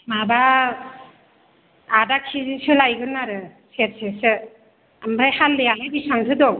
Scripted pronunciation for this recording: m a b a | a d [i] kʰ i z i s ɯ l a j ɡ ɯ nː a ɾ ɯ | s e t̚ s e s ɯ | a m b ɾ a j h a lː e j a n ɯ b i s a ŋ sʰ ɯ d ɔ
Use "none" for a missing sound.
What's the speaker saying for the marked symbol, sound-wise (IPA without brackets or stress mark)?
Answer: a